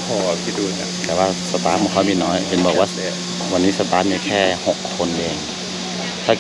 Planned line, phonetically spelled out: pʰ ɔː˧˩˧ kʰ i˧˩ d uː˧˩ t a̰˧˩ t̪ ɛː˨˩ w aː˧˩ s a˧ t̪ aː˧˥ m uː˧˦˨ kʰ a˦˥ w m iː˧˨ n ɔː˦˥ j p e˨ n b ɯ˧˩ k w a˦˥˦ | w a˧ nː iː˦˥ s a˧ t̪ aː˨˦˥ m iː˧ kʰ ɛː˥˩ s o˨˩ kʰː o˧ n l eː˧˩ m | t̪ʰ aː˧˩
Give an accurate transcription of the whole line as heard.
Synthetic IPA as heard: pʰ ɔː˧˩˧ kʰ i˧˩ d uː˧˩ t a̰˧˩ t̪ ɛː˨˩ w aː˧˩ s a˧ t̪ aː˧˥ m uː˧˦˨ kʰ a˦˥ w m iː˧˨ n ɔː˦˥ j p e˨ n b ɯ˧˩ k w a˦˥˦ | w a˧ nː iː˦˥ s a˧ t̪ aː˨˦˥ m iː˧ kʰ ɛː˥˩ h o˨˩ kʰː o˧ n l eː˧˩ ŋ | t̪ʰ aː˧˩

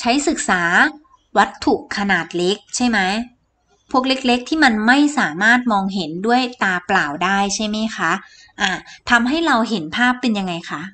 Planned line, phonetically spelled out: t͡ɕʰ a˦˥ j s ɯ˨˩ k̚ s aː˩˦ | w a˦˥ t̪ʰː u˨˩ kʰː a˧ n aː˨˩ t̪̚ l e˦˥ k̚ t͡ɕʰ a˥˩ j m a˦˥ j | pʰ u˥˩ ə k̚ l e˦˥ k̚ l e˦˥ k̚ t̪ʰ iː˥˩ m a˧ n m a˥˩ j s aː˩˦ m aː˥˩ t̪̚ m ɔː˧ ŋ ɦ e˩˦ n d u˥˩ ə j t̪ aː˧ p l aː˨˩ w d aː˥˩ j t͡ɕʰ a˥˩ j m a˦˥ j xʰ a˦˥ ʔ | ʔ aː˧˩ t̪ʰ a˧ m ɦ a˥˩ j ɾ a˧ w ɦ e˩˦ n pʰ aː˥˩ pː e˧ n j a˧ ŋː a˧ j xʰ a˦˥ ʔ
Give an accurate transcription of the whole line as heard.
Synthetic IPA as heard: t͡ɕʰ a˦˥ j s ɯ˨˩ k̚ s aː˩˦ | w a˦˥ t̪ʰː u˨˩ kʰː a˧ n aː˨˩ t̪̚ l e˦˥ k̚ t͡ɕʰ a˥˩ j m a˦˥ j | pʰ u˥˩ ə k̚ l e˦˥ k̚ l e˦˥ k̚ t̪ʰ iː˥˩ m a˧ n m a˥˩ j s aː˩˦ m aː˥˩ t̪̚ m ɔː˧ ŋ ɦ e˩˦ n d u˥˩ ə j t̪ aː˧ p l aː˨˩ w d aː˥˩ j t͡ɕʰ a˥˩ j m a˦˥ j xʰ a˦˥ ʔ | ʔ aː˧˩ t̪ʰ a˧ m ɦ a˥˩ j ɾ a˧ w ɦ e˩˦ n pʰ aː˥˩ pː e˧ n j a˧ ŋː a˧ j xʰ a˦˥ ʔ

